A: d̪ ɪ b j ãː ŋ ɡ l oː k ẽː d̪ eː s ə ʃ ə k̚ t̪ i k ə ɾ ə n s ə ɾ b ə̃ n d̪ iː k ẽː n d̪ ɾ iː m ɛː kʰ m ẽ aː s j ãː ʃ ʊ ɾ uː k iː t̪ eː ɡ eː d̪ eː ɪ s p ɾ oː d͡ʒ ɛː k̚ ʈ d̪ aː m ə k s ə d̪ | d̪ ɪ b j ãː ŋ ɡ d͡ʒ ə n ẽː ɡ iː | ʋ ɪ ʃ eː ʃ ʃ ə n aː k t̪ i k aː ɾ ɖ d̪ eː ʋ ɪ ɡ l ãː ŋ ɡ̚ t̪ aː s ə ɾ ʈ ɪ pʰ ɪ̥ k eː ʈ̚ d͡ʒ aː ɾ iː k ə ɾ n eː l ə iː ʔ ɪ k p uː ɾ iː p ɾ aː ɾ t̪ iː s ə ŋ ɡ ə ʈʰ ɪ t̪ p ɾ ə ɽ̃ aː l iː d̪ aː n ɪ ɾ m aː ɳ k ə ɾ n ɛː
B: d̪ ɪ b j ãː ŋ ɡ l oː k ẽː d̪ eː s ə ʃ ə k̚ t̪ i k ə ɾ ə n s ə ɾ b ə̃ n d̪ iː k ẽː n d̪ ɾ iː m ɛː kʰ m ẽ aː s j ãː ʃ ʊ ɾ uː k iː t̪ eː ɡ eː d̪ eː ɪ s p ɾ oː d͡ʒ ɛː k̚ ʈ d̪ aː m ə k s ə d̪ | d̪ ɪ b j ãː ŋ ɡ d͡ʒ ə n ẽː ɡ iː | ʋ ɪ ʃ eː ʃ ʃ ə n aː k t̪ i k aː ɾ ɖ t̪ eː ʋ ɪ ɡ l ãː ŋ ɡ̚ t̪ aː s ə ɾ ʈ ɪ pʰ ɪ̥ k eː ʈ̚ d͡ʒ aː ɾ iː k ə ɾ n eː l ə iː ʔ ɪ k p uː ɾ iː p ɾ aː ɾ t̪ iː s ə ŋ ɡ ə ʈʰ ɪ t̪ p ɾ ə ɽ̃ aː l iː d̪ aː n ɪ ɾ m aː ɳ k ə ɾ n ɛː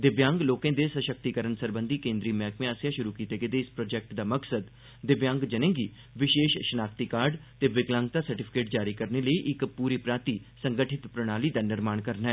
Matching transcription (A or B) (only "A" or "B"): B